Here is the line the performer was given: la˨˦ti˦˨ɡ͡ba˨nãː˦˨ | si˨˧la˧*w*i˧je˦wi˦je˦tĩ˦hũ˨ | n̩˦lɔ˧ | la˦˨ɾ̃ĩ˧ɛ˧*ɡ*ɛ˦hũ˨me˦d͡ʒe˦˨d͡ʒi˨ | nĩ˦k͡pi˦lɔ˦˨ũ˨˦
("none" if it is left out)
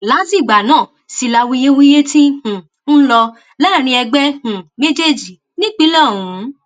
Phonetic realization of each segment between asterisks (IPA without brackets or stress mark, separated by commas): w, ɡ͡b